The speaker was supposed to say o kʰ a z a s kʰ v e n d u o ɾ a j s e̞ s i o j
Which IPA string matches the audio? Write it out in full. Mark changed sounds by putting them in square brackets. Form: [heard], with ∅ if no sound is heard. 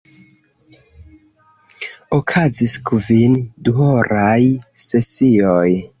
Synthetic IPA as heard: o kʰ a z [i] s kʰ v [i] n d u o ɾ a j s e̞ s i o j